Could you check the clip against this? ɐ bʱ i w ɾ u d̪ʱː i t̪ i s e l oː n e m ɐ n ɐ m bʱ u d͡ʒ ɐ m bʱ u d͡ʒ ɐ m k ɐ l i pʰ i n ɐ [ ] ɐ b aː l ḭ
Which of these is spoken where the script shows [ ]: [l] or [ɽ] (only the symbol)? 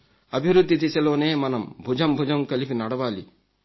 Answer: ɽ